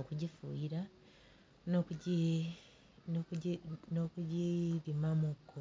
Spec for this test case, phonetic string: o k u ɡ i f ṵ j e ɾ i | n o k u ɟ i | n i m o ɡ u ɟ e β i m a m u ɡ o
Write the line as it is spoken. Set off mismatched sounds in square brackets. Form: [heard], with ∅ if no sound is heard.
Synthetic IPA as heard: o k u [ɟ] i f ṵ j [i] ɾ [a] | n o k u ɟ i | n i [n] o [k] u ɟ [i] β i m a m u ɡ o